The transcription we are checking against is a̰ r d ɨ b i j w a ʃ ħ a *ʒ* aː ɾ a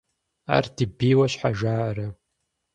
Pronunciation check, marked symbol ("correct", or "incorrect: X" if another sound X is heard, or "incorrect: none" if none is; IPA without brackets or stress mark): correct